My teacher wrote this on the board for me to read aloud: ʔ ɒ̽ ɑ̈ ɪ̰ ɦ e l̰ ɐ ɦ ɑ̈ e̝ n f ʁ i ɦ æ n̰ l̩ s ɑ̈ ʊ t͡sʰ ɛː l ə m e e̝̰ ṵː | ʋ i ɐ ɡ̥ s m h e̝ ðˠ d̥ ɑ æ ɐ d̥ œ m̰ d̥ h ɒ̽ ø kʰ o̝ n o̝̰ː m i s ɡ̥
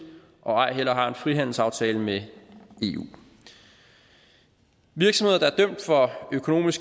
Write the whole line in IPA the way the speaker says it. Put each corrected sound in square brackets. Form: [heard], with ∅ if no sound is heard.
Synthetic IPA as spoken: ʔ ɒ̽ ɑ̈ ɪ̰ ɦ e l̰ ɐ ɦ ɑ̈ e̝ n f ʁ i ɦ æ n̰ l̩ s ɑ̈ ʊ t͡sʰ ɛː l ə m e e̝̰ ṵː | ʋ i ɐ ɡ̥ s m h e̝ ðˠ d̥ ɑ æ ɐ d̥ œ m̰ d̥ [f] ɒ̽ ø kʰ o̝ n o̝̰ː m i s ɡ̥